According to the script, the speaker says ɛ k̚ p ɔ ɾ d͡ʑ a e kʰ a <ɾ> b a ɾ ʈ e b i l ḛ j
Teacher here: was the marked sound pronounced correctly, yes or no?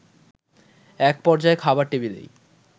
no